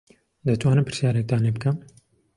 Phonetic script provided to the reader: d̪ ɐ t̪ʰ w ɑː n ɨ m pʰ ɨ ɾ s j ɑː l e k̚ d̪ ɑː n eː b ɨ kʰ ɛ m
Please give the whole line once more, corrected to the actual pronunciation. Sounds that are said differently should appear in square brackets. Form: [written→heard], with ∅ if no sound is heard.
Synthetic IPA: d̪ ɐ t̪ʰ w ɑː n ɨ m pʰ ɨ ɾ s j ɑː [l→ɾ] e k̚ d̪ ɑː n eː b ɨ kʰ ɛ m